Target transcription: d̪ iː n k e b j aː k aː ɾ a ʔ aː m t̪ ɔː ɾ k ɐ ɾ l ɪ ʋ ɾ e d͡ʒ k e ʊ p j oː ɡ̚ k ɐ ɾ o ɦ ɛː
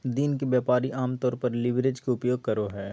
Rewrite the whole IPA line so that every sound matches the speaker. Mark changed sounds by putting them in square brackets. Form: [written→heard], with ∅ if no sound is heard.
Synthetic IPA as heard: d̪ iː n k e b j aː [k→p] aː ɾ [a→i] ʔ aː m t̪ ɔː ɾ [k→p] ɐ ɾ l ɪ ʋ ɾ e d͡ʒ k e ʊ p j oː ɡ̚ k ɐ ɾ o ɦ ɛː